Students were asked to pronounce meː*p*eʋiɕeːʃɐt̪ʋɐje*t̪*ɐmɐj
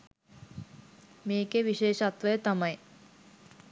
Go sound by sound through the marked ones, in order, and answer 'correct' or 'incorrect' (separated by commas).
incorrect, correct